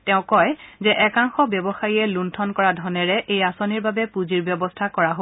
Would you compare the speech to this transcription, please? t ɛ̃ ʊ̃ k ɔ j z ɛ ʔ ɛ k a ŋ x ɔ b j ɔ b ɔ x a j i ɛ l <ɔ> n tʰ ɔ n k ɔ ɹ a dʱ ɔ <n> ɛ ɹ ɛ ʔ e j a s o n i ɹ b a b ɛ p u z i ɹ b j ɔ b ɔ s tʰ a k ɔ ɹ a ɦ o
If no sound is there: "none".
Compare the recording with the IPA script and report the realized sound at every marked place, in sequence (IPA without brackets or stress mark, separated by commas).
u, n